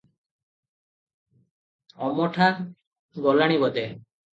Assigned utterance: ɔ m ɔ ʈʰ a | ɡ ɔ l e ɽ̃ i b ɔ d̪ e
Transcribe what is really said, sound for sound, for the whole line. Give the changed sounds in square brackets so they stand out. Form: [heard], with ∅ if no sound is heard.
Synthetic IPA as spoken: ɔ m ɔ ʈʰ a | ɡ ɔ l [a] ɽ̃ i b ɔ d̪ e

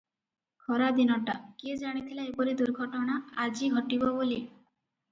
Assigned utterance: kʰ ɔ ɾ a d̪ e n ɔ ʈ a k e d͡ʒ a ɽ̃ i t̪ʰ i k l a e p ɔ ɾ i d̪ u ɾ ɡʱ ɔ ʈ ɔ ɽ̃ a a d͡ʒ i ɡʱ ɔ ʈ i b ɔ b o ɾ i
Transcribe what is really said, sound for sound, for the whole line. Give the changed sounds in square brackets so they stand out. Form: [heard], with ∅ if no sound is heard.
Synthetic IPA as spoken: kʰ ɔ ɾ a d̪ [i] n ɔ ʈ a k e d͡ʒ a ɽ̃ i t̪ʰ i [∅] l a e p ɔ ɾ i d̪ u ɾ ɡʱ ɔ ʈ ɔ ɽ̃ a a d͡ʒ i ɡʱ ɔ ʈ i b ɔ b o [l] i

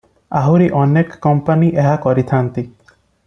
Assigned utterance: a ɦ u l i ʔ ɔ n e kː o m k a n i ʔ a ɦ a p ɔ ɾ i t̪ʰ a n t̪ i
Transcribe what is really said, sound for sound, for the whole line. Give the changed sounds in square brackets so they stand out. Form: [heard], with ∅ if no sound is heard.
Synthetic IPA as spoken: a ɦ u [ɾ] i ʔ ɔ n e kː [ɔ] m [p] a n i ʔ [e] ɦ a [k] ɔ ɾ i t̪ʰ a n t̪ i

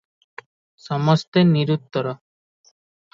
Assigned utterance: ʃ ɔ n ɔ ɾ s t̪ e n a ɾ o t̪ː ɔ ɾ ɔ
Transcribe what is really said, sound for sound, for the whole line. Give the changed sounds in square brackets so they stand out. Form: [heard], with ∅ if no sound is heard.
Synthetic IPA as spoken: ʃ ɔ [m] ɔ [∅] s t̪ e n [i] ɾ [u] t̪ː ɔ ɾ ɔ

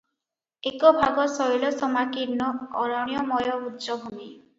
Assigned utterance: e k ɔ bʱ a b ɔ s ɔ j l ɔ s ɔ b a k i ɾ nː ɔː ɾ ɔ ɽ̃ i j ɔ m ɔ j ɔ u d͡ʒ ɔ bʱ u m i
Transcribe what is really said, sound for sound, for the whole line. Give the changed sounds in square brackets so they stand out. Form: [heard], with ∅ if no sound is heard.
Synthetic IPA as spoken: e k ɔ bʱ a [ɡ] ɔ s ɔ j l ɔ s ɔ [m] a k i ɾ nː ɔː ɾ ɔ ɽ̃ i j ɔ m ɔ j ɔ u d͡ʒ ɔ bʱ u m i

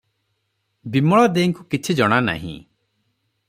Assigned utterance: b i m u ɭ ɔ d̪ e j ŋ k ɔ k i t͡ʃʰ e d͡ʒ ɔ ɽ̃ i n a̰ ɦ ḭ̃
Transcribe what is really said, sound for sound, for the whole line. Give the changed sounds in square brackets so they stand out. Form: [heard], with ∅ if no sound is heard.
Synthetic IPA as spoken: b i m [ɔ] ɭ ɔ d̪ e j ŋ k [u] k i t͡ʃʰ [i] d͡ʒ ɔ ɽ̃ [a] n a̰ ɦ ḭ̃

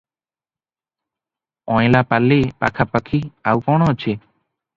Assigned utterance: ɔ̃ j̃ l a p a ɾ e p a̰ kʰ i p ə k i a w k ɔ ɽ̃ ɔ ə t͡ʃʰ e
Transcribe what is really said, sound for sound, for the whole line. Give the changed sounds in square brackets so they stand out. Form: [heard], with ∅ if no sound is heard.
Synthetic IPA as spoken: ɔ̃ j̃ l a p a [l] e p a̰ kʰ [a] p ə [kʰ] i a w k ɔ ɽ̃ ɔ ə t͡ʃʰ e

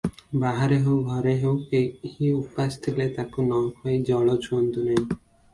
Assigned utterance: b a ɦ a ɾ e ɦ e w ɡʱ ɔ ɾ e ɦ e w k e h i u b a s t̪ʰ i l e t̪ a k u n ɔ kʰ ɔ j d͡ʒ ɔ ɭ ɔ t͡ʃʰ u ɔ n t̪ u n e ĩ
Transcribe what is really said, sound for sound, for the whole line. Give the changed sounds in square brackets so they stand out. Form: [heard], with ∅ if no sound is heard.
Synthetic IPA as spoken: b a ɦ a ɾ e ɦ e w ɡʱ ɔ ɾ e ɦ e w k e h i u [p] a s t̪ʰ i l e t̪ a k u n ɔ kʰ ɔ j d͡ʒ ɔ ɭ ɔ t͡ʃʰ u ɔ n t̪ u n [a] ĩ

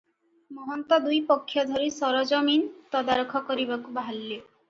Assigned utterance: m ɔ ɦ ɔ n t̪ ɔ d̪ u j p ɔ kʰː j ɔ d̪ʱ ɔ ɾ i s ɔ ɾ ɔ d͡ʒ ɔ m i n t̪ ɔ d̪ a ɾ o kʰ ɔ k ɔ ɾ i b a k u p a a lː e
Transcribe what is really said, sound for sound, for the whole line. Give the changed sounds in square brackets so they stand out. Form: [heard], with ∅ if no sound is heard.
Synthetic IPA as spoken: m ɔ ɦ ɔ n t̪ ɔ d̪ u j p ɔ kʰː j ɔ d̪ʱ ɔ ɾ i s ɔ ɾ ɔ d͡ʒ ɔ m i n t̪ ɔ d̪ a ɾ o kʰ ɔ k ɔ ɾ i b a k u [b] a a lː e

